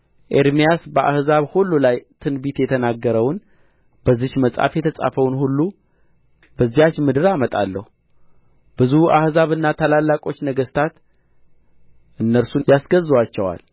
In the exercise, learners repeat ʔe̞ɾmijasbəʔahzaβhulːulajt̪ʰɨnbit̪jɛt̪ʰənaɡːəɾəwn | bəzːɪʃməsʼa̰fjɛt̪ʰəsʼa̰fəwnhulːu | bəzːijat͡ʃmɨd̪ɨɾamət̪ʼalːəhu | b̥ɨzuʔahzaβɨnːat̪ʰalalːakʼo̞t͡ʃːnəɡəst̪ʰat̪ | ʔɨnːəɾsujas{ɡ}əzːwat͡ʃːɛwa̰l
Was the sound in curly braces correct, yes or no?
yes